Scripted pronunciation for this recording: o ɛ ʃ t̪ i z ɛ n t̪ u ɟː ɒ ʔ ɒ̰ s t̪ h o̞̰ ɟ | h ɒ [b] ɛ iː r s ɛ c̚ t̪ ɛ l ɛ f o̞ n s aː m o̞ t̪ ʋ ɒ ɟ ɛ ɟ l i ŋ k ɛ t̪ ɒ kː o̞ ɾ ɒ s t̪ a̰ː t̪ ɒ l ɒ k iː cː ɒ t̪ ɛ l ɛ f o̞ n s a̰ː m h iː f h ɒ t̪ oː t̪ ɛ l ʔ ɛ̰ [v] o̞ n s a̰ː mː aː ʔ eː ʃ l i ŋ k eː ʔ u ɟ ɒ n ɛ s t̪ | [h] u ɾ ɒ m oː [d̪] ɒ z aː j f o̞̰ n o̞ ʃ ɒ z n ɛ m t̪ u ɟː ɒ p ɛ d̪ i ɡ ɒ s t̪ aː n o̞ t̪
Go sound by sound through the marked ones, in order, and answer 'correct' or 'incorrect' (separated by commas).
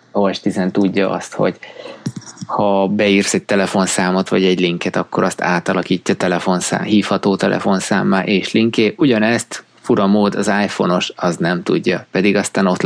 correct, incorrect, incorrect, correct